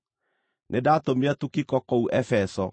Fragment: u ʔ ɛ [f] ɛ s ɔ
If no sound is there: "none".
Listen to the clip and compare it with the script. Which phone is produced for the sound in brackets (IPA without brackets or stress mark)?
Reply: f